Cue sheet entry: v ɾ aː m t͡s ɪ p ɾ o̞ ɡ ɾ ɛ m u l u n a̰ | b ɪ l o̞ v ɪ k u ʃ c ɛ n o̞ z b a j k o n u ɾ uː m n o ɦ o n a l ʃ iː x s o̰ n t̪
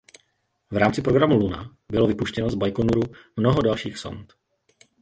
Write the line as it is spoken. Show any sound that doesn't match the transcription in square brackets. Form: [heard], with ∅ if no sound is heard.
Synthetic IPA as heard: v ɾ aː m t͡s ɪ p ɾ o̞ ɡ ɾ [a] m u l u n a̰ | b ɪ l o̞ v ɪ [p] u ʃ c ɛ n o̞ z b a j k o n u ɾ [u] m n o ɦ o [d] a l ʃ iː x s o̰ n t̪